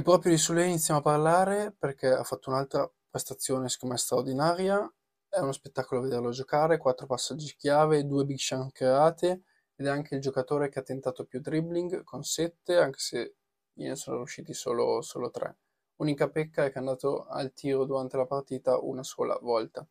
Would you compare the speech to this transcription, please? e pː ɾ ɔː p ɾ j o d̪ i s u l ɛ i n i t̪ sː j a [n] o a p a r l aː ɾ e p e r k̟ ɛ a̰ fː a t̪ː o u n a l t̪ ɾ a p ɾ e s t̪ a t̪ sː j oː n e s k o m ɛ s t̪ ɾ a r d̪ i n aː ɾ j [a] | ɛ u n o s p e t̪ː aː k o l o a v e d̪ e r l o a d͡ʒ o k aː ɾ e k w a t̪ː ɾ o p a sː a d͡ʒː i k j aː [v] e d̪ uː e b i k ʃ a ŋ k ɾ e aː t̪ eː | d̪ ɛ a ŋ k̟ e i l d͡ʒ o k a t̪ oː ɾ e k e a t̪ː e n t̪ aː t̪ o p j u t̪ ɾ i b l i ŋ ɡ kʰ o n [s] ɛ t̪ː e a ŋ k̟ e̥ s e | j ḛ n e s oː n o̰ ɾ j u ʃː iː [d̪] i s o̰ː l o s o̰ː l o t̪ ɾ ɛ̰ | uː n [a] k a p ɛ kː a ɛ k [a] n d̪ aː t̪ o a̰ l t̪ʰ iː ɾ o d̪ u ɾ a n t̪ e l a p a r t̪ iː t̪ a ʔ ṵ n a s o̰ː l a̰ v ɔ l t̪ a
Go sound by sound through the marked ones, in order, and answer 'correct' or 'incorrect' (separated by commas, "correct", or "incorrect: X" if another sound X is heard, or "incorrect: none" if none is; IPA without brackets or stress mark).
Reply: incorrect: m, correct, correct, correct, incorrect: t̪, incorrect: i, correct